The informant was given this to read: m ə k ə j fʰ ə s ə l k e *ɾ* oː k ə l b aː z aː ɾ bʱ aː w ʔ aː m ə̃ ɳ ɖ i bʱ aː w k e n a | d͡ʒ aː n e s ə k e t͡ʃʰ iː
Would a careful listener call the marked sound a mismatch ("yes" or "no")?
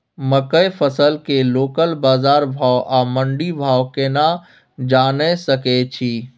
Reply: yes